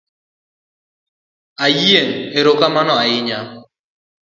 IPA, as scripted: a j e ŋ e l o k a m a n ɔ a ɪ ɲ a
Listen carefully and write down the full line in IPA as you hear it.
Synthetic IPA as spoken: a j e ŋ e ɾ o k a m a n ɔ a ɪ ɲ a

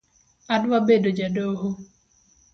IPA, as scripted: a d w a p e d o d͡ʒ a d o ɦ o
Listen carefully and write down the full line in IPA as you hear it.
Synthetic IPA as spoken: a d w a b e d o d͡ʒ a d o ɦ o

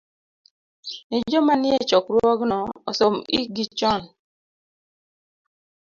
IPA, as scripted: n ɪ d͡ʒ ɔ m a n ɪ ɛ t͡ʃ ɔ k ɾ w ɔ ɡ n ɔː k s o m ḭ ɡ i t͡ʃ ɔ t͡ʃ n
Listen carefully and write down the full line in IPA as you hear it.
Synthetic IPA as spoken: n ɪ d͡ʒ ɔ m a n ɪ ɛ t͡ʃ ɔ k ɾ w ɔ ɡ n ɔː s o m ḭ ɡ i t͡ʃ ɔ n

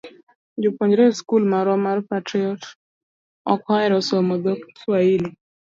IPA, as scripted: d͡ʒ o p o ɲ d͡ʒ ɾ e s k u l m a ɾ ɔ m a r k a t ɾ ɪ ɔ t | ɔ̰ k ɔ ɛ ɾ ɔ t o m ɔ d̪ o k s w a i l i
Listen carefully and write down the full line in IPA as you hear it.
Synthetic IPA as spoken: d͡ʒ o p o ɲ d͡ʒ ɾ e s k u l m a ɾ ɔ m a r p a t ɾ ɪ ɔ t | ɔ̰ k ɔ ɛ ɾ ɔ s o m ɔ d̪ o k s w a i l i

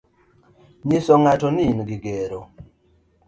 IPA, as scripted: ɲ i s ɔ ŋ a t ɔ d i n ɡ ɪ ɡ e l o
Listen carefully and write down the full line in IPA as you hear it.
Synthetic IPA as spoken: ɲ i s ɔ ŋ a t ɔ n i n ɡ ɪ ɡ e ɾ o

